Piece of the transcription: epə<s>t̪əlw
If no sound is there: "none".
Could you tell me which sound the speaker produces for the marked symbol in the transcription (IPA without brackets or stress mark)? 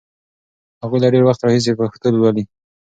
x